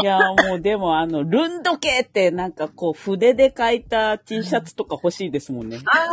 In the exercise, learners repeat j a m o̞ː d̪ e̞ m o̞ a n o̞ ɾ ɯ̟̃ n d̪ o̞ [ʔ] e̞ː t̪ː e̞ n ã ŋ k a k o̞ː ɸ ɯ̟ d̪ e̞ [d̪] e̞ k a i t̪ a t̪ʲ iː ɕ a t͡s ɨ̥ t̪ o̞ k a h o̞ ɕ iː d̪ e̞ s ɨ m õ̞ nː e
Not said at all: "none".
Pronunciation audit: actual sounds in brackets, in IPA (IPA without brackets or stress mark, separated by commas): k, d̪